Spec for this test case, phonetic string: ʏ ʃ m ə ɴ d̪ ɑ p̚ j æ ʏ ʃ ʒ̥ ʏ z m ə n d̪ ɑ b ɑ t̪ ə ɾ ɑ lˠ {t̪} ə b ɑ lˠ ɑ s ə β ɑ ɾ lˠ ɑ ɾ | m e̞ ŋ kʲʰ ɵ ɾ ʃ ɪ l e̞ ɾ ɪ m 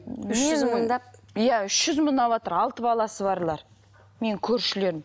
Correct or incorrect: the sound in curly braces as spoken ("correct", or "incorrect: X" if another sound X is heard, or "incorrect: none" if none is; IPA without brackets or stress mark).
correct